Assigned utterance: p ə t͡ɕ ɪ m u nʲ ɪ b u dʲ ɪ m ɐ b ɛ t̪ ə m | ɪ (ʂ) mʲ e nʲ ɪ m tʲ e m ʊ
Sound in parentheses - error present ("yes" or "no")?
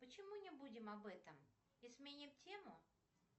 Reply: yes